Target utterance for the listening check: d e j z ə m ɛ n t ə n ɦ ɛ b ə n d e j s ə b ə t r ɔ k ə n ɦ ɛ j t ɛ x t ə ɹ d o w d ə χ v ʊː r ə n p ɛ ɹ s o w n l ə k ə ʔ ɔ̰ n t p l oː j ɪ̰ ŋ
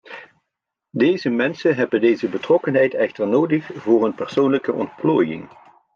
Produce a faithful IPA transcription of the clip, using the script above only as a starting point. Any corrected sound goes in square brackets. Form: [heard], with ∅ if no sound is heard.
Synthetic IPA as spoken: d e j z ə m ɛ n [s] ə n ɦ ɛ b ə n d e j [z] ə b ə t r ɔ k ə n ɦ ɛ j t ɛ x t ə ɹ [n] o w d ə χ v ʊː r ə n p ɛ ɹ s o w n l ə k ə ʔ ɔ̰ n t p l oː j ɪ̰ ŋ